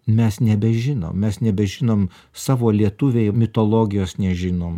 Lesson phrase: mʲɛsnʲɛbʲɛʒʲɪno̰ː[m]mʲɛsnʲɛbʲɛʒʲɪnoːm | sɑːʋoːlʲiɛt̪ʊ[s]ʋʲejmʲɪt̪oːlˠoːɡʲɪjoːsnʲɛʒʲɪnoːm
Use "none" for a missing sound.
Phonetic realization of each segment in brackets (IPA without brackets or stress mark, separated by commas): m, none